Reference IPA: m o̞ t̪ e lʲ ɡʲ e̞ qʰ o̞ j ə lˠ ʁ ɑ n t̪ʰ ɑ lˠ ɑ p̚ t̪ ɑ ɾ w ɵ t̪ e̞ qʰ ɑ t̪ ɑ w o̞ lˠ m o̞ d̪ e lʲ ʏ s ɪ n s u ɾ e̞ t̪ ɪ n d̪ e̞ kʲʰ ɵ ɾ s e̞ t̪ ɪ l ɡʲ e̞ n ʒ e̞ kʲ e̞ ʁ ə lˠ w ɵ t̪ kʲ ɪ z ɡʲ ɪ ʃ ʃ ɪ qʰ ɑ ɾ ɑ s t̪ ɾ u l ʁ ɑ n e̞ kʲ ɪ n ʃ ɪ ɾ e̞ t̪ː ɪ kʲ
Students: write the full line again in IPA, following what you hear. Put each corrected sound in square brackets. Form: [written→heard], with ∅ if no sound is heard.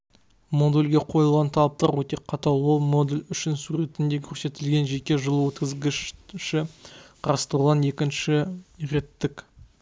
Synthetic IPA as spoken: m o̞ [t̪→d̪] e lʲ ɡʲ e̞ qʰ o̞ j ə lˠ ʁ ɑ n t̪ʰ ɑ lˠ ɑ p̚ t̪ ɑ ɾ w ɵ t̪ e̞ qʰ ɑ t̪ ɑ w o̞ lˠ m o̞ d̪ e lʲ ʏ [s→ʃ] ɪ n s u ɾ e̞ t̪ ɪ n d̪ e̞ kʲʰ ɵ ɾ s e̞ t̪ ɪ l ɡʲ e̞ n ʒ e̞ kʲ e̞ [ʁ→ʒ] ə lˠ w ɵ t̪ kʲ ɪ z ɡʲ ɪ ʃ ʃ ɪ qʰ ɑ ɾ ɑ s t̪ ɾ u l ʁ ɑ n e̞ kʲ ɪ n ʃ ɪ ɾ e̞ t̪ː ɪ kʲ